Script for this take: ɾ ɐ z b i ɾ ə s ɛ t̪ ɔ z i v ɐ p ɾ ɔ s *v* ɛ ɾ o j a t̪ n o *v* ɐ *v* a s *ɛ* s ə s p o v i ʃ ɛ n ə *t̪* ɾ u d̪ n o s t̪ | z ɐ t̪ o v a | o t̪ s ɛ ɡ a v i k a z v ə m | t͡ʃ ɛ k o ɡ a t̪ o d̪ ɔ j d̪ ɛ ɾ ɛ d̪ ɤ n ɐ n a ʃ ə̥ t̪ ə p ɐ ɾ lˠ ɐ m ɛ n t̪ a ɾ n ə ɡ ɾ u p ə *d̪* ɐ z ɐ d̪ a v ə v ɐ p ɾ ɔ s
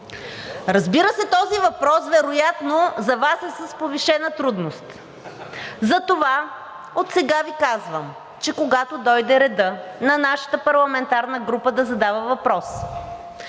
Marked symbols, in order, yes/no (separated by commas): yes, no, yes, yes, yes, yes